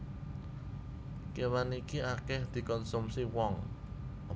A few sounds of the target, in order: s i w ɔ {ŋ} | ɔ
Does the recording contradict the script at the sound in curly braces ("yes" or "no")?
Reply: no